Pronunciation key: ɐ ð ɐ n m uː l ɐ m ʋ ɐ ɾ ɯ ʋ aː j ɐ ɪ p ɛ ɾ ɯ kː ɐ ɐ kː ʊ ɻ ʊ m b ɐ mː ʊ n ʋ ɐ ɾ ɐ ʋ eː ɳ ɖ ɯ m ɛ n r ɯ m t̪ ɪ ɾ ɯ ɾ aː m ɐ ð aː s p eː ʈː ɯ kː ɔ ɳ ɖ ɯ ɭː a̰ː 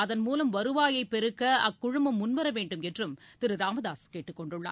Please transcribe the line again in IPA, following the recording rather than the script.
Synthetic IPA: ɐ ð ɐ n m uː l ɐ m ʋ ɐ ɾ ɯ ʋ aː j ɐ ɪ p ɛ ɾ ɯ kː ɐ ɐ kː ʊ ɻ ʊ m b ɐ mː ʊ n ʋ ɐ ɾ ɐ ʋ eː ɳ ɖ ɯ m ɛ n r ɯ m t̪ ɪ ɾ ɯ ɾ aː m ɐ ð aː s k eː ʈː ɯ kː ɔ ɳ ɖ ɯ ɭː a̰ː